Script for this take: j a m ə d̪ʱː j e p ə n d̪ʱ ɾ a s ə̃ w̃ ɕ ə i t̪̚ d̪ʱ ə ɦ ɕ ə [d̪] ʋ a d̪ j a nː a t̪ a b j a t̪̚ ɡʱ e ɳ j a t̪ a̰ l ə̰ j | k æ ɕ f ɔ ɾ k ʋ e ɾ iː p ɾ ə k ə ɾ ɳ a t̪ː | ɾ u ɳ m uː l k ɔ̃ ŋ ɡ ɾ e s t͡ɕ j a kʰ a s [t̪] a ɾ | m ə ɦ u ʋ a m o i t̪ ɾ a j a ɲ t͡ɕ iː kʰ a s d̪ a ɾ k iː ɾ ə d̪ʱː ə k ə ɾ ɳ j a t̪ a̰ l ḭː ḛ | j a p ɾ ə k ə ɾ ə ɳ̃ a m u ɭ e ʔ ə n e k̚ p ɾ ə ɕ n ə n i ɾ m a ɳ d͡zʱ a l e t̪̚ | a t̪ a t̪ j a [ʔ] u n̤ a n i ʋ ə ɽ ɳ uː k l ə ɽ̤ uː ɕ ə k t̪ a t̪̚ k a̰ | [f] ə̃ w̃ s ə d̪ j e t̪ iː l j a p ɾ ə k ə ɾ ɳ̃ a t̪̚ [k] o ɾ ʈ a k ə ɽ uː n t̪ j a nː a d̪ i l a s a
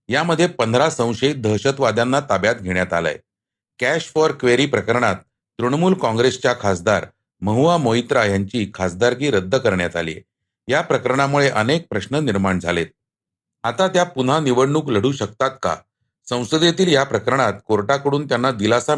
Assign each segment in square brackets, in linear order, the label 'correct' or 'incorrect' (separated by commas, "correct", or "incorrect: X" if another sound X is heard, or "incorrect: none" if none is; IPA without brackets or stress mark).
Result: incorrect: t̪, incorrect: d̪, incorrect: p, incorrect: s, correct